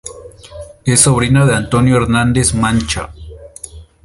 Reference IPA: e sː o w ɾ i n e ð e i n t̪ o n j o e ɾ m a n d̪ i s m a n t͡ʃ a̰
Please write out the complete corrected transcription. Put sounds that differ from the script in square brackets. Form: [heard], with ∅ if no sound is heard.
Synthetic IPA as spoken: e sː o [β] ɾ i n [a] ð e [a] n t̪ o n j o e ɾ [n] a n d̪ [e] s m a n t͡ʃ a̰